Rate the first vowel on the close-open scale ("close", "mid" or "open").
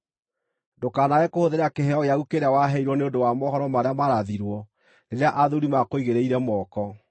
mid